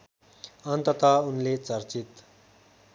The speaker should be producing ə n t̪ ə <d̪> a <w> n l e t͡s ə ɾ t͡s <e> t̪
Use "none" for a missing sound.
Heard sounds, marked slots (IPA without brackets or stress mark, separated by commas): t̪, u, i